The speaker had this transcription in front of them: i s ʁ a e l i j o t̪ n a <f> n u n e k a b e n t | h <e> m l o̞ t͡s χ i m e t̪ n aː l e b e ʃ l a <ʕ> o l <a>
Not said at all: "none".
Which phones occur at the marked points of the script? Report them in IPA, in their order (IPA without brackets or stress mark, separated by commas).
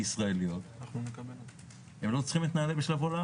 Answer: χ, e, v, a